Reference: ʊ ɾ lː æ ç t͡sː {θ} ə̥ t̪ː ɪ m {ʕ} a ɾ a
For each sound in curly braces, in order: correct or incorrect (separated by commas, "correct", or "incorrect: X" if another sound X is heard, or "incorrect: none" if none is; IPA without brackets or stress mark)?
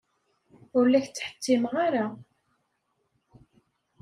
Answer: incorrect: ħ, incorrect: ʁ